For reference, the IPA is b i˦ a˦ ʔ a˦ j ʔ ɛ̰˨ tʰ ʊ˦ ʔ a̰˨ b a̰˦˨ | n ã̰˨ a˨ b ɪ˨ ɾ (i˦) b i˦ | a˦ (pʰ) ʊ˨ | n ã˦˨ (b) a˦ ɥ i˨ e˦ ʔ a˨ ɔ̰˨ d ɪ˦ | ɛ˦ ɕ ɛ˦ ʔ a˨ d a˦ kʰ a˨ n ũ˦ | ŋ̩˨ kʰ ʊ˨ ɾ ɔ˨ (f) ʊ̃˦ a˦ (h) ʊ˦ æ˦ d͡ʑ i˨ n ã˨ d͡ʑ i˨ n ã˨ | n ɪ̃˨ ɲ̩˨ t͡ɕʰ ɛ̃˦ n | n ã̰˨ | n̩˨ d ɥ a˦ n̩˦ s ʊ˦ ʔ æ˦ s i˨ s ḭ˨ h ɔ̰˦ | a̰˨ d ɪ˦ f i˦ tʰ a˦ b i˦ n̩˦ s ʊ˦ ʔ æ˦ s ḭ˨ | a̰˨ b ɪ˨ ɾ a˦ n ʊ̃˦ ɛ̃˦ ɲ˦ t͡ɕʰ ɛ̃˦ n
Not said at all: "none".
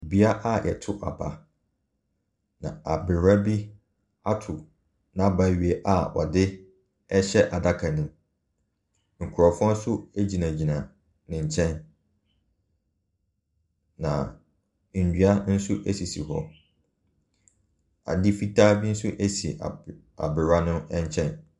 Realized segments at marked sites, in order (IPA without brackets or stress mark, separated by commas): a˦, tʰ, b, f, s